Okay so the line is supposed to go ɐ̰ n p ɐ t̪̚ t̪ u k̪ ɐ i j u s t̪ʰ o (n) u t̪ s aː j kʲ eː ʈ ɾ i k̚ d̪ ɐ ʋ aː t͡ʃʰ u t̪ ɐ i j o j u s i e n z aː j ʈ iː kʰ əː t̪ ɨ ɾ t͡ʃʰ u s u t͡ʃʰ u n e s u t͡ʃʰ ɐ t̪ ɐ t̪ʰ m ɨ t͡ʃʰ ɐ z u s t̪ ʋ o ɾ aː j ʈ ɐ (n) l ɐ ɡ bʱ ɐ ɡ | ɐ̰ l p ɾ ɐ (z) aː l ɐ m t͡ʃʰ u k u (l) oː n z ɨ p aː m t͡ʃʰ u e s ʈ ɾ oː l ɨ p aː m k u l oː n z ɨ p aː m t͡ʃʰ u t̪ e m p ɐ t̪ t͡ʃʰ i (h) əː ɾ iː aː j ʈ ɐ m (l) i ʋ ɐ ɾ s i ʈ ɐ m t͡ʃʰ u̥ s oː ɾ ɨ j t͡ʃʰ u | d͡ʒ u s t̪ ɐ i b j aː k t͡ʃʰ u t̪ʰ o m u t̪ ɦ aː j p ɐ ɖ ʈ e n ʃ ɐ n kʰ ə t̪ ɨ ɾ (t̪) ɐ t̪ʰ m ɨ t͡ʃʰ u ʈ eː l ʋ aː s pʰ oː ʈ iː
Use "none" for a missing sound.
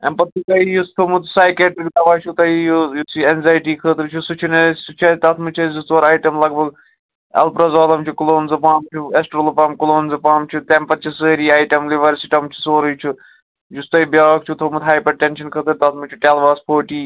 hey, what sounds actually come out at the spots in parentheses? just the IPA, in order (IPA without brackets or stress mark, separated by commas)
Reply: m, m, z, l, s, l, t̪